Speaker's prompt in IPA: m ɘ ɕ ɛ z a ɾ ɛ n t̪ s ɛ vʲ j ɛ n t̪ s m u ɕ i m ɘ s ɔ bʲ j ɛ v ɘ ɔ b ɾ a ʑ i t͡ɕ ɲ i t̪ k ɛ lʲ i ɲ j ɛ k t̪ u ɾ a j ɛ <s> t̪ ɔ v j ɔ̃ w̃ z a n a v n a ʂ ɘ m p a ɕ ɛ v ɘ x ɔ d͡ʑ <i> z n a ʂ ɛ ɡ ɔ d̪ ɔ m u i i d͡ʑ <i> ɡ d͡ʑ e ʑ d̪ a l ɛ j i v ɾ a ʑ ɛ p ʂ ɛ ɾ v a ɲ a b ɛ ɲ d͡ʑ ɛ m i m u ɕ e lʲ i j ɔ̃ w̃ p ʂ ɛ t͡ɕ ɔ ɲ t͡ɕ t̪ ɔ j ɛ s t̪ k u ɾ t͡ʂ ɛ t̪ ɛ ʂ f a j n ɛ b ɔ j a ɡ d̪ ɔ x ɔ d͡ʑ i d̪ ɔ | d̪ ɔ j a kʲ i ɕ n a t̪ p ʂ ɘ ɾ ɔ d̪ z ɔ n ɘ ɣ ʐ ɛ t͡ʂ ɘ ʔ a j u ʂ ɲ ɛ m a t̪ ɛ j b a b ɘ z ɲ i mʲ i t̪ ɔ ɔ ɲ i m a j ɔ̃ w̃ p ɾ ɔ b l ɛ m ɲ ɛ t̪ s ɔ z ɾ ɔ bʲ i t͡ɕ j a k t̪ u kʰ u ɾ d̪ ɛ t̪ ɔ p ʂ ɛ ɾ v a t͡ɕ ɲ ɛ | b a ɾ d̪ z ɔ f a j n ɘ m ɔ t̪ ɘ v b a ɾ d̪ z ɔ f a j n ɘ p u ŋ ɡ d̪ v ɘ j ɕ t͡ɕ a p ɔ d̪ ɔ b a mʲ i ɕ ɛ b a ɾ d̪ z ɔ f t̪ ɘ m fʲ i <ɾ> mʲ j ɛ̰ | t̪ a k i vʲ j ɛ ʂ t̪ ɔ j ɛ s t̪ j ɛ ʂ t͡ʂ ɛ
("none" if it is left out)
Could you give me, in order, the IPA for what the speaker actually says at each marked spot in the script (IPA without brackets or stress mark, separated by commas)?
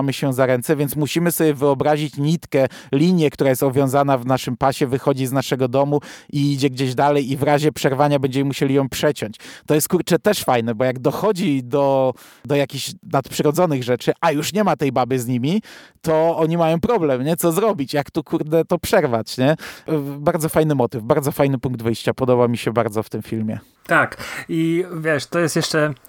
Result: s, i, ɛ, l